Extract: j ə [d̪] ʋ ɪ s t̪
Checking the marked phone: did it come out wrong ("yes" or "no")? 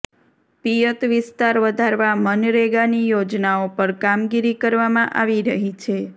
yes